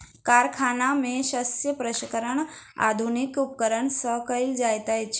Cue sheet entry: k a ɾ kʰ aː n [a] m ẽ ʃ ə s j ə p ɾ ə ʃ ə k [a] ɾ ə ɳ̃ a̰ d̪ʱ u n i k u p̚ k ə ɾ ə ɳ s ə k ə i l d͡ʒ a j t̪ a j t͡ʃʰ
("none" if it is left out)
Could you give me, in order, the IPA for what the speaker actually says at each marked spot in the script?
a, ə

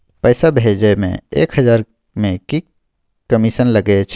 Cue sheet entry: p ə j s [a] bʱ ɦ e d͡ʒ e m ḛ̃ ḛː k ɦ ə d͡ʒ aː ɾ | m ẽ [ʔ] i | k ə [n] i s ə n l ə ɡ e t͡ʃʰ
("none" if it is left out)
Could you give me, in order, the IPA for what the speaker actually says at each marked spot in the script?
a, k, m

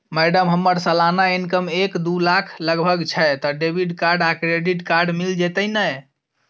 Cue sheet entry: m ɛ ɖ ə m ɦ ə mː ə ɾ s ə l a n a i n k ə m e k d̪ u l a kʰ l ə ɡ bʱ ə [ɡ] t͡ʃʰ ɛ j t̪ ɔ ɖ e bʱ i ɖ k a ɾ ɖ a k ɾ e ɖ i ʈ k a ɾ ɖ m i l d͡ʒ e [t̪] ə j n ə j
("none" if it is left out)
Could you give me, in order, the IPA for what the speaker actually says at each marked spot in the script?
ɡ, t̪

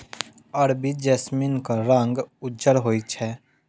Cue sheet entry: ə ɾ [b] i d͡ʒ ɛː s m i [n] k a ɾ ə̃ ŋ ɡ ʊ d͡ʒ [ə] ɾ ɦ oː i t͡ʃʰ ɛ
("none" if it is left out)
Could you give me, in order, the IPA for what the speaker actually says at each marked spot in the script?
b, n, ə

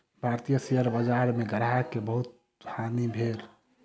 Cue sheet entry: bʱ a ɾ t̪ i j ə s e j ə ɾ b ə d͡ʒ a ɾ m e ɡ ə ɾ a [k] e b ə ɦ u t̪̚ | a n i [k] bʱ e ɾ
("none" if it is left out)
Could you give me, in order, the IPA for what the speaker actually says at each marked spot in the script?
k, none

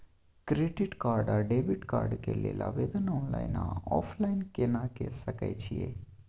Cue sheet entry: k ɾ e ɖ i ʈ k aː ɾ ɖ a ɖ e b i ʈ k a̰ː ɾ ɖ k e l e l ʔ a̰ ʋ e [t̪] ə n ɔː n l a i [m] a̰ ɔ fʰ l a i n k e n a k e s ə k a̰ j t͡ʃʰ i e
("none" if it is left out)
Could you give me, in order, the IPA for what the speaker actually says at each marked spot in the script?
d̪, n

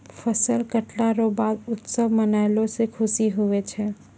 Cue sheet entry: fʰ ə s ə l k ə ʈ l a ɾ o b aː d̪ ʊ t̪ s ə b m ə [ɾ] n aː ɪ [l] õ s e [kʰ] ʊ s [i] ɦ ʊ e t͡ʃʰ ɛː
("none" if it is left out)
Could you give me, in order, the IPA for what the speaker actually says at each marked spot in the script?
none, l, kʰ, i

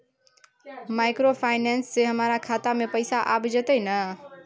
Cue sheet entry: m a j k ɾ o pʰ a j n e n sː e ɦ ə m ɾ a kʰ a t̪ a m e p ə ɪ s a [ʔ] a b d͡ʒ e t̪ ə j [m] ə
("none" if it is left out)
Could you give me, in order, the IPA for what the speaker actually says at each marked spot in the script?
ʔ, n

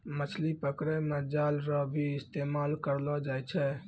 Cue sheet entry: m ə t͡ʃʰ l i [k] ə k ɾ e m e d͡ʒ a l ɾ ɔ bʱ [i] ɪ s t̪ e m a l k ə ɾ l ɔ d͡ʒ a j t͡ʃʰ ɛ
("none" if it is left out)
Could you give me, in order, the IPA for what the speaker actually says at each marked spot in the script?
p, i

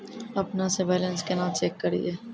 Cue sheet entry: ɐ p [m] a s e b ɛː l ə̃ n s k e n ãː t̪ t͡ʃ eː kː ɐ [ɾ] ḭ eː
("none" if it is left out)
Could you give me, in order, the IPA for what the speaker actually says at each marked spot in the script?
n, ɾ

